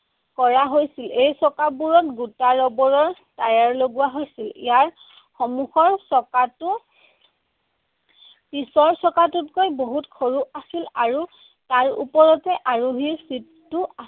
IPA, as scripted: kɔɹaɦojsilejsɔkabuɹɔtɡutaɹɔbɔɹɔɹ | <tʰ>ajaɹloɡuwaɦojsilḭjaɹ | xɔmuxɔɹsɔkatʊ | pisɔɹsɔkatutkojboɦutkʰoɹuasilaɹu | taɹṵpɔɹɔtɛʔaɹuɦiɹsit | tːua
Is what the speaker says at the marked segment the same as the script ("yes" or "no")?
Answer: no